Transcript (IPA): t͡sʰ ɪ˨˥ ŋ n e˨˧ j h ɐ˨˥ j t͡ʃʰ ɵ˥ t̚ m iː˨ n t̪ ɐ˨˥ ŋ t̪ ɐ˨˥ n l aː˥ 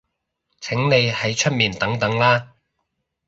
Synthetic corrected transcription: t͡sʰ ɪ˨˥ ŋ n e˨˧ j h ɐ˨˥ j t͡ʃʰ ɵ˥ t̚ m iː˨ n t̪ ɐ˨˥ ŋ t̪ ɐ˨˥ ŋ l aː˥

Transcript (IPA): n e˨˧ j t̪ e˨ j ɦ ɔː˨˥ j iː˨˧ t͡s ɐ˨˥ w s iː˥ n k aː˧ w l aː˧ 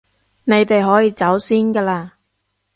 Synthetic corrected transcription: n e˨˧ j t̪ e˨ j ɦ ɔː˨˥ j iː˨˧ t͡s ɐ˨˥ w s iː˥ n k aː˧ l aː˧

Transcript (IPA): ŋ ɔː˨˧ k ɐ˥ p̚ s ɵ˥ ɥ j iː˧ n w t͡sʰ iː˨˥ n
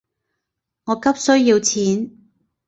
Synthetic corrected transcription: ŋ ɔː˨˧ k ɐ˥ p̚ s ɵ˥ ɥ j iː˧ w t͡sʰ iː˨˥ n

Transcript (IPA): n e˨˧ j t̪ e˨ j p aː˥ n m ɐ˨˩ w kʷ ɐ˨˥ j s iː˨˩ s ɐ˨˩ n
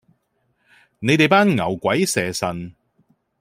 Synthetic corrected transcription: n e˨˧ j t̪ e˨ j p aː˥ n ŋ ɐ˨˩ w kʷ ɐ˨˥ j s ɛː˨˩ s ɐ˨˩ n

